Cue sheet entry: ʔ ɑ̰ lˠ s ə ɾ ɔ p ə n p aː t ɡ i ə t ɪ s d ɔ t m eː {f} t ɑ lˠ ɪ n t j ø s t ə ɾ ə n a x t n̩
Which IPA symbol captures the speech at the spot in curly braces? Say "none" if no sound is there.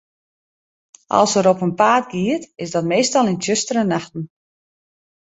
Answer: s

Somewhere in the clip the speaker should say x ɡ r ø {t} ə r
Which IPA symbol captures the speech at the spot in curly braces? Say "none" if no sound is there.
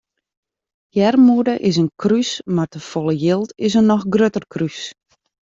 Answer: t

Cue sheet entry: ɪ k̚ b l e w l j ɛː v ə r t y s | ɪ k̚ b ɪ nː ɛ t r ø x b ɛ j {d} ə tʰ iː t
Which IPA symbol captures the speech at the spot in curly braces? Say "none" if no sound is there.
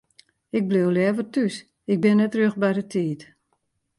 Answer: d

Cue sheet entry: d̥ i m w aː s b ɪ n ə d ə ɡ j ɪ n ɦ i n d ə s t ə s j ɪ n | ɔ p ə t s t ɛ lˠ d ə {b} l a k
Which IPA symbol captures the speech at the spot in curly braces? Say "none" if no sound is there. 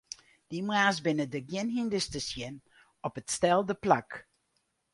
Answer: p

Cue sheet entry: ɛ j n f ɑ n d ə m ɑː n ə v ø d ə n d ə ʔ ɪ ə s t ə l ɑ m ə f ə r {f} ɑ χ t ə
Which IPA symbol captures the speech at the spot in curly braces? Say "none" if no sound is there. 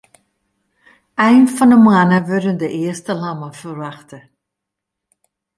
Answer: v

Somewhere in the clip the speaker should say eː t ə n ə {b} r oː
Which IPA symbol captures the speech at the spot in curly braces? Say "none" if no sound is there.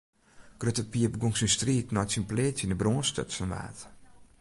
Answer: b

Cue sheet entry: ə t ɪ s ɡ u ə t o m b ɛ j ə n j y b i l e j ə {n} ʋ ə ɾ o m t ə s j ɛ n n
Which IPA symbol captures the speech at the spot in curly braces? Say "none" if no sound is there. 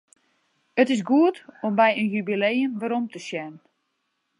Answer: n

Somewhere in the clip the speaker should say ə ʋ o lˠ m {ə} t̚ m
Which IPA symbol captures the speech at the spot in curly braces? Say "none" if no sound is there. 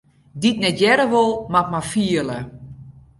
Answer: a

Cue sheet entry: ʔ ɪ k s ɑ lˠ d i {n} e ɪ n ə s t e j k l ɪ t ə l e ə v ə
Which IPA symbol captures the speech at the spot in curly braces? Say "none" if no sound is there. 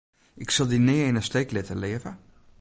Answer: n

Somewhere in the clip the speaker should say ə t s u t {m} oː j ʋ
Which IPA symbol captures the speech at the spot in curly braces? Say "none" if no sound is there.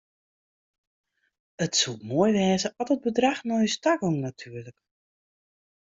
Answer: m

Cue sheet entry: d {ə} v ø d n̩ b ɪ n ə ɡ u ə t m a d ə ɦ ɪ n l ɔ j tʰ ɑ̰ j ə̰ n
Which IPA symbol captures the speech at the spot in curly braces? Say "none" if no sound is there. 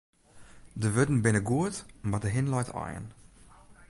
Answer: ə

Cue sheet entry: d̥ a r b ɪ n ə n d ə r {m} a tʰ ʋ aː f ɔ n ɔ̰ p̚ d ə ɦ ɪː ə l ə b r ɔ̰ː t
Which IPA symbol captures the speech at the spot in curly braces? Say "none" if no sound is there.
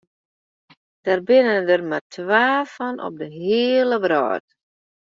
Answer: m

